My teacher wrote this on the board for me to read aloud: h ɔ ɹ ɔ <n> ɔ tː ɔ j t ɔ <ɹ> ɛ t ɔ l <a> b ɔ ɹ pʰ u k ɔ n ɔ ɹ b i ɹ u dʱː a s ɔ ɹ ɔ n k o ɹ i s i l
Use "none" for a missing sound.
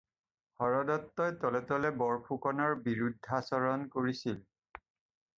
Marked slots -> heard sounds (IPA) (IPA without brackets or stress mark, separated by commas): d, l, ɛ